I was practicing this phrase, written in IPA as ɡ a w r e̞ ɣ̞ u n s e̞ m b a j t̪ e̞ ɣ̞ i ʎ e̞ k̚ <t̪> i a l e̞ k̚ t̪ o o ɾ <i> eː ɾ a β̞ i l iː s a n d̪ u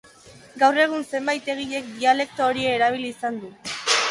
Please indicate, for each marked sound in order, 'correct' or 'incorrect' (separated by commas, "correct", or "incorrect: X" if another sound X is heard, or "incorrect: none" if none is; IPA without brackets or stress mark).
incorrect: d̪, correct